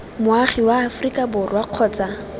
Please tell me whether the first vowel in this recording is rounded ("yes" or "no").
yes